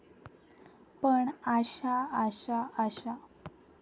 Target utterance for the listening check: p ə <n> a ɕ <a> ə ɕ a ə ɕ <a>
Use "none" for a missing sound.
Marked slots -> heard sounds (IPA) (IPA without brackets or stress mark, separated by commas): ɳ, a, a